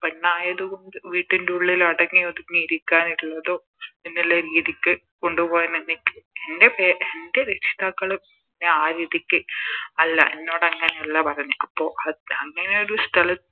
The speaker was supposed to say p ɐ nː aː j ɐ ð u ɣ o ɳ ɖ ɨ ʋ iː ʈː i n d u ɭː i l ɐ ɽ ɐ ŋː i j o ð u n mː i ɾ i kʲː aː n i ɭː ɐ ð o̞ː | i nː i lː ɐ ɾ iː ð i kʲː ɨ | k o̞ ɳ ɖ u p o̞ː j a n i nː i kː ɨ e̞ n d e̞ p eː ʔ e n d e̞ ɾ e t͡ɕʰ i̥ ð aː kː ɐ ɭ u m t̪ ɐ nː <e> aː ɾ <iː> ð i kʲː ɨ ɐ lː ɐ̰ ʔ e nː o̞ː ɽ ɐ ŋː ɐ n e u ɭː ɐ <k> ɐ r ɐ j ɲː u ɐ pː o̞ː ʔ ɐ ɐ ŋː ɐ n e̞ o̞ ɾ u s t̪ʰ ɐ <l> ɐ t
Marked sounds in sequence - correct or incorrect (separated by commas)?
correct, correct, incorrect, correct